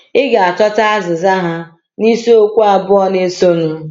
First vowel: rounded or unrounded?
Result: unrounded